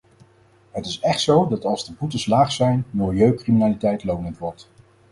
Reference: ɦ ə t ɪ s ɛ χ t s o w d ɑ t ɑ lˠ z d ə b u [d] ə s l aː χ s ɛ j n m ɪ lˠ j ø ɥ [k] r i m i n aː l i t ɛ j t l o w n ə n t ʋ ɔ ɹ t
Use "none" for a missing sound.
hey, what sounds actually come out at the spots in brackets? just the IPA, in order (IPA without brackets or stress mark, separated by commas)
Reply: t, k